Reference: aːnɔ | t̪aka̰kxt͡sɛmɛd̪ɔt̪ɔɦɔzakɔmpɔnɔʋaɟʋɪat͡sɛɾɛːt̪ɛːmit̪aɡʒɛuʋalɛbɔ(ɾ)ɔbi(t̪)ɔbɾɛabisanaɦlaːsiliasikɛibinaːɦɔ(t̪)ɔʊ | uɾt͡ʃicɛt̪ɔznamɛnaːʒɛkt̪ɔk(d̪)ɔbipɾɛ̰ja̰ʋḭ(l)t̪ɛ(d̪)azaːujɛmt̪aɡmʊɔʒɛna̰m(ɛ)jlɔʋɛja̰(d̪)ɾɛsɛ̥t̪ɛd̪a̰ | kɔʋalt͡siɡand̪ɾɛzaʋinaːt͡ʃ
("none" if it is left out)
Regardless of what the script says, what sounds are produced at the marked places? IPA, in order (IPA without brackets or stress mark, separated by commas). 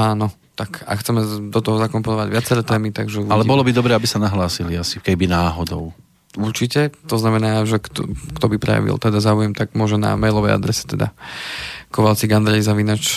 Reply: l, d̪, d̪, t̪, l, d̪, ɛ, d̪